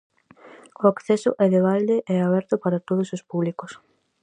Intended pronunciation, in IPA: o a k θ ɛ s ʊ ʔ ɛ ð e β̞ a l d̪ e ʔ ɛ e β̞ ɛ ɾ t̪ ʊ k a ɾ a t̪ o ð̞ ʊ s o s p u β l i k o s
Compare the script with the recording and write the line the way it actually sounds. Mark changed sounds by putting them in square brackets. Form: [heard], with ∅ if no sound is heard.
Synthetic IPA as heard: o a k θ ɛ s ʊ ʔ ɛ ð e β̞ a l d̪ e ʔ ɛ [a] β̞ ɛ ɾ t̪ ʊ [p] a ɾ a t̪ o ð̞ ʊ s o s p u β l i k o s